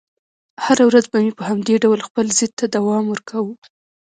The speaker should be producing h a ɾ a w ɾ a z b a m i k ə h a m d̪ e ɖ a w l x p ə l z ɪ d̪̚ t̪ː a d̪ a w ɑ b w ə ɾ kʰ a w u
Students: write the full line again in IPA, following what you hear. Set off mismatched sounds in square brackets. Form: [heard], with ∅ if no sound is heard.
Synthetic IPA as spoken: h a ɾ a w ɾ a z b a m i [p] ə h a m d̪ e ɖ a w l x p ə l z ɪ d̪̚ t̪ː a d̪ a w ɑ [m] w ə ɾ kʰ a w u